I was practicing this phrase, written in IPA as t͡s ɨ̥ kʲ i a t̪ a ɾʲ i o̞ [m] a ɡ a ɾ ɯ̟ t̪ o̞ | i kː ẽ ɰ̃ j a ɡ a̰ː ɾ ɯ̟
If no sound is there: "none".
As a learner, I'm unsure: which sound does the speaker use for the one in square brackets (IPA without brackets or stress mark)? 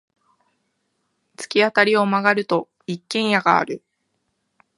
m